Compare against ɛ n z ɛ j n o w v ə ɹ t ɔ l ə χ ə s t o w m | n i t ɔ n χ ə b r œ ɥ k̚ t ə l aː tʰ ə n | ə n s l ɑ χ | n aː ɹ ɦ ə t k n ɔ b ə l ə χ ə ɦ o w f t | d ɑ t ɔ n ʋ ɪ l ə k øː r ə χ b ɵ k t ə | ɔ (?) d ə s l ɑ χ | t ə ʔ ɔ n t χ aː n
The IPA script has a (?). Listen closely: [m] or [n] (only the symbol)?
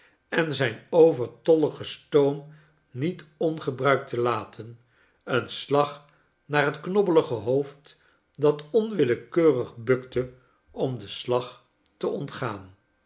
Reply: m